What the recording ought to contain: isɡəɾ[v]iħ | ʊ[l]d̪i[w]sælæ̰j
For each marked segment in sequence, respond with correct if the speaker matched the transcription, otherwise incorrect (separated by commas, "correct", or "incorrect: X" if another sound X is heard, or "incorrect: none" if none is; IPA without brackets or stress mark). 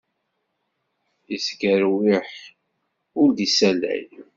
incorrect: w, incorrect: ɾ, incorrect: none